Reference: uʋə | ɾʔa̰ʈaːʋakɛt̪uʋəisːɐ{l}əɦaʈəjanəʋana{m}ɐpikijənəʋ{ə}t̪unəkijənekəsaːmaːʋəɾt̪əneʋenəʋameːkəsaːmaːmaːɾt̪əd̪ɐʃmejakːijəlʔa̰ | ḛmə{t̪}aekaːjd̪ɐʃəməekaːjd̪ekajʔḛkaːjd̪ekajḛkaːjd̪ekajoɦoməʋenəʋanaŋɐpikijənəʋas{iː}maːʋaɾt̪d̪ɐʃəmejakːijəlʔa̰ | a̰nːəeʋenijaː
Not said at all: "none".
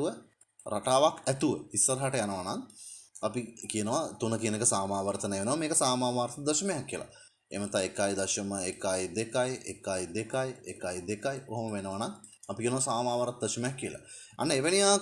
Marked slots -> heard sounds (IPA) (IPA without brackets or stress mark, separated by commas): ɾ, ŋ, a, t̪, aː